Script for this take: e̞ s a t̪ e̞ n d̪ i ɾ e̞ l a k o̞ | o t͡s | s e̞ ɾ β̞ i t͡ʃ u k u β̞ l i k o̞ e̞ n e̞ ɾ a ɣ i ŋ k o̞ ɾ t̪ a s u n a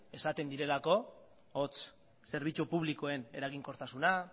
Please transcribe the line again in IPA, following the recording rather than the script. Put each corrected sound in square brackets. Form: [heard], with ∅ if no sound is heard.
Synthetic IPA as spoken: e̞ s a t̪ e̞ n d̪ i ɾ e̞ l a k o̞ | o t͡s | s e̞ ɾ β̞ i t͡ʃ u [p] u β̞ l i k o̞ e̞ n e̞ ɾ a ɣ i ŋ k o̞ ɾ t̪ a s u n a